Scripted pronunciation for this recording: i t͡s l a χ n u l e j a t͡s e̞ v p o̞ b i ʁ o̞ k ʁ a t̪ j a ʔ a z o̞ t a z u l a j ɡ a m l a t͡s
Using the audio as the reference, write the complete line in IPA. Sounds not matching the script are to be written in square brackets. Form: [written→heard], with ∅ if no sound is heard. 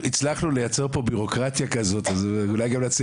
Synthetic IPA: i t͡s l a χ n u l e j a t͡s e̞ [v→ʁ] p o̞ b i ʁ o̞ k ʁ a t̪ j a [ʔ→k] a z o̞ t a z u l a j ɡ a m l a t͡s